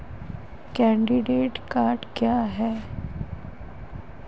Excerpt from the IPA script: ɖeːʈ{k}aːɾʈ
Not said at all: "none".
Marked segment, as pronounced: k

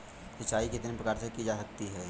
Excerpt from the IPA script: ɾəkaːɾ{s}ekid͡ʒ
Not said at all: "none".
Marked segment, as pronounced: s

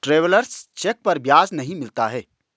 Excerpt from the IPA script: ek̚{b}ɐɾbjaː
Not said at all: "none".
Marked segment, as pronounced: p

